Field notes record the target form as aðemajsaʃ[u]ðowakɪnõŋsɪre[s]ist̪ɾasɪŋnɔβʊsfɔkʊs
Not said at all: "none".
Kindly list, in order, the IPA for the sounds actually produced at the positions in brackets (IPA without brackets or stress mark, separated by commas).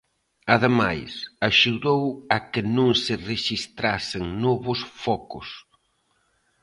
u, ʃ